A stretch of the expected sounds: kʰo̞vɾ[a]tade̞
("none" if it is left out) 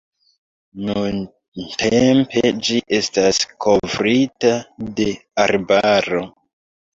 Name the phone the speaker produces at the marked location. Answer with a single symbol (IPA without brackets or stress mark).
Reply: i